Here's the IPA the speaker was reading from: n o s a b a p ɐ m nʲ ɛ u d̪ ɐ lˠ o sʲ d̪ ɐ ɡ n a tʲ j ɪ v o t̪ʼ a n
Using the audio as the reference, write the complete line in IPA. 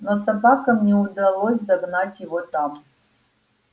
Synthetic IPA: n o s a b a k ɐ m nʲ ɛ u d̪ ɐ lˠ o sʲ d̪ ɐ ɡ n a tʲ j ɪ v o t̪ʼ a m